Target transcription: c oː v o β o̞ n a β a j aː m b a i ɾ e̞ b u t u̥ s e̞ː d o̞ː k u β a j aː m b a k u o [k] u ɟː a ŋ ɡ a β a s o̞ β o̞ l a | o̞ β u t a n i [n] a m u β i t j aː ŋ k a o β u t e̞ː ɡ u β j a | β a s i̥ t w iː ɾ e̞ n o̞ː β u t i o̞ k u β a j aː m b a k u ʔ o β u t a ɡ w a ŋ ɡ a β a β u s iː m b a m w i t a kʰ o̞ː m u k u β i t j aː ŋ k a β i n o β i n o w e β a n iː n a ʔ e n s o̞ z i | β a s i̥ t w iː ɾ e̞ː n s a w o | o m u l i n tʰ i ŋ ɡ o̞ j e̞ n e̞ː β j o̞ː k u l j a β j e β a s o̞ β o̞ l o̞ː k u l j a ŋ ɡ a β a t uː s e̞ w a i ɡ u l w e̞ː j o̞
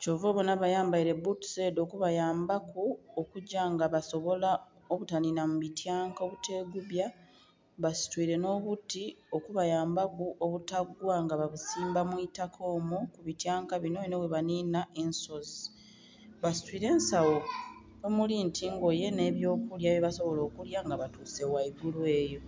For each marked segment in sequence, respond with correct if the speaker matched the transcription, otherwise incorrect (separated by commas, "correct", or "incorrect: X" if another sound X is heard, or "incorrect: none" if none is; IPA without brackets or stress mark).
correct, correct